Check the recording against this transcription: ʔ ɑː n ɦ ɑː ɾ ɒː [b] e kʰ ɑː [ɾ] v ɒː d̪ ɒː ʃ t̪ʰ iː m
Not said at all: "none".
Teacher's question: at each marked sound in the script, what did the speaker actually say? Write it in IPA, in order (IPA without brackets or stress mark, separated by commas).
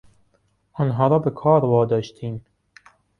b, ɾ